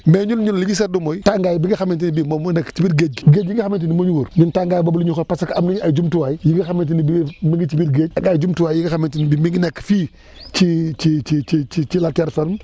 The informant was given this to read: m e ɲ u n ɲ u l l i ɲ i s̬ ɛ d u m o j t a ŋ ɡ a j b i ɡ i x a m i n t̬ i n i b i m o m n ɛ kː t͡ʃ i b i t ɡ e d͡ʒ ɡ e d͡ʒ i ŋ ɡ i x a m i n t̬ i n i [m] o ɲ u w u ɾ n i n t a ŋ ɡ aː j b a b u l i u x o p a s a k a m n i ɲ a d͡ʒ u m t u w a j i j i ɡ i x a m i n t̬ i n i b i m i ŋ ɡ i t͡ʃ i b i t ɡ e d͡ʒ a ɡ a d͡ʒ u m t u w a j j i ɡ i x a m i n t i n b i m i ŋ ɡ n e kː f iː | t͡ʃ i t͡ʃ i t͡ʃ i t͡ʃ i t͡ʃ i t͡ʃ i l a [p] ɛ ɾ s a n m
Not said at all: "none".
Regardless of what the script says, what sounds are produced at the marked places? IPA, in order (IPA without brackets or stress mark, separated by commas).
m, t